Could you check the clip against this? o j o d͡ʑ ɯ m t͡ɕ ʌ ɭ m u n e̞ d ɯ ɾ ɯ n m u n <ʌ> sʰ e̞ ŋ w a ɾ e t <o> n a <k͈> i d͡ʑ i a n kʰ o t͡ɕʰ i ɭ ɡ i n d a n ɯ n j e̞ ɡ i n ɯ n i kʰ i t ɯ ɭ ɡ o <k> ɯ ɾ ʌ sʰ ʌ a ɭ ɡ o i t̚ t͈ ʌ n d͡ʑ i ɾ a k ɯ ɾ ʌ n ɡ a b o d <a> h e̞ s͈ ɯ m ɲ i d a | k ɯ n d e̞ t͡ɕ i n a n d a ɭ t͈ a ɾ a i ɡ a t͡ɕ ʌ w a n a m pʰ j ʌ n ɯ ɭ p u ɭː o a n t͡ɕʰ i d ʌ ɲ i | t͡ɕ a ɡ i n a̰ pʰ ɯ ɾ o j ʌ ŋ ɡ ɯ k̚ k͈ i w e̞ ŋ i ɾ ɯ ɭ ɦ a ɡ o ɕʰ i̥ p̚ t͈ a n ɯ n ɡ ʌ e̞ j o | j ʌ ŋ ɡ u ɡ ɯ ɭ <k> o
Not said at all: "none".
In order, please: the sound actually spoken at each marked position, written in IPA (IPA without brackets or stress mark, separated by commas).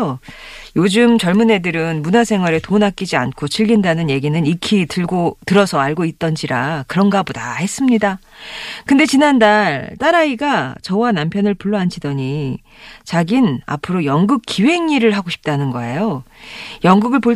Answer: a, o, k͈, t, a, p